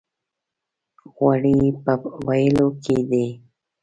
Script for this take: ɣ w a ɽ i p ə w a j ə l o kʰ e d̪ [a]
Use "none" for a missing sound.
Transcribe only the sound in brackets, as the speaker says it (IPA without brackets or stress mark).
e